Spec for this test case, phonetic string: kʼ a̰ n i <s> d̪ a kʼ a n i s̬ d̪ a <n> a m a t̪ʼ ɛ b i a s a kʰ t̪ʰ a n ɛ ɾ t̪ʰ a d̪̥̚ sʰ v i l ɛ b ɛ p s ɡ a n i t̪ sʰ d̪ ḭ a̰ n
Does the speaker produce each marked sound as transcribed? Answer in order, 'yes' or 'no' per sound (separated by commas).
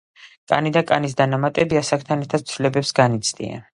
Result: no, yes